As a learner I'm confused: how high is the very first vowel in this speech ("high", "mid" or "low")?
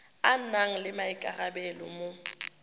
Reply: low